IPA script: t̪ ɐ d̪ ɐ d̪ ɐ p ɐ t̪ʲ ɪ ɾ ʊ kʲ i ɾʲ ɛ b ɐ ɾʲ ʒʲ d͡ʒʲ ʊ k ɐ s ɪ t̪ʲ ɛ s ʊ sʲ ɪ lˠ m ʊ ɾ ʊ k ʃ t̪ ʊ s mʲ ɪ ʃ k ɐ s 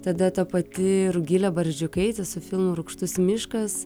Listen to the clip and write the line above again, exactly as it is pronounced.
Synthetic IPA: t̪ ɐ d̪ ɐ t̪ ɐ p ɐ t̪ʲ ɪ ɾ ʊ ɡʲ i lʲ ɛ b ɐ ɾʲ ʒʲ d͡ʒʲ ʊ k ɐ ɪ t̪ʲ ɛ s ʊ fʲ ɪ lˠ m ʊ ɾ ʊ k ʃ t̪ ʊ s mʲ ɪ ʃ k ɐ s